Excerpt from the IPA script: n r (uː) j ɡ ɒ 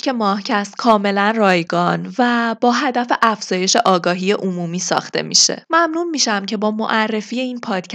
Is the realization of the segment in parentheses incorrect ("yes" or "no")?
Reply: yes